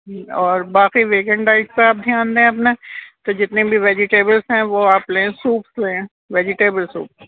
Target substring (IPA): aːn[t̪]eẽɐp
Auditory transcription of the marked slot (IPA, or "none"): d̪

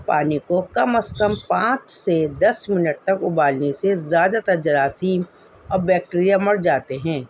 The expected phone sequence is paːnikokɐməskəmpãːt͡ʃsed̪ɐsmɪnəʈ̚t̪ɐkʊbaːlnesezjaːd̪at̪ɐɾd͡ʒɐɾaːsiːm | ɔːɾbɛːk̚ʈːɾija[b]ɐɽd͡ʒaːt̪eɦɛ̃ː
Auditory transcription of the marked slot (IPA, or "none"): m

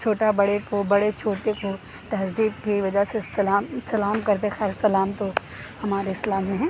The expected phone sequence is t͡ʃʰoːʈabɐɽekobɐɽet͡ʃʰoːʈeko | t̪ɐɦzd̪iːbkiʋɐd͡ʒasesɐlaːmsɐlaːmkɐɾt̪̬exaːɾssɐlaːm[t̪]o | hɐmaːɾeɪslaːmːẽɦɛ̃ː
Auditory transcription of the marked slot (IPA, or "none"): t̪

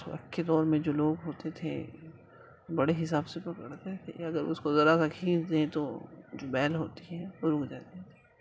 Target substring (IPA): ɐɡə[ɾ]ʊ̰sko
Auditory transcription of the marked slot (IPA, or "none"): ɾ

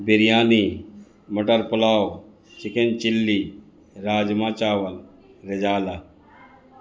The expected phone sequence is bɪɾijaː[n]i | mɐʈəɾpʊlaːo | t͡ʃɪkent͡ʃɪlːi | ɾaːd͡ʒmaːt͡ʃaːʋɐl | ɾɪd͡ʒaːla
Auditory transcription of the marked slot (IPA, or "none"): n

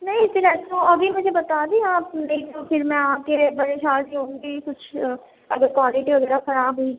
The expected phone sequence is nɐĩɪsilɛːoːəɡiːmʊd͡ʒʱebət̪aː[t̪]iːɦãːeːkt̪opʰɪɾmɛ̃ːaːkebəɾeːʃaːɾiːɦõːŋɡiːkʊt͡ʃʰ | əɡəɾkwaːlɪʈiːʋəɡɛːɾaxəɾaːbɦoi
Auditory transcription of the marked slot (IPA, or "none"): d̪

